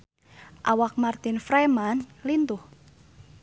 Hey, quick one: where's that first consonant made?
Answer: throat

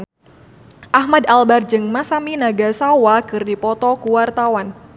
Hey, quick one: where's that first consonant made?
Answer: throat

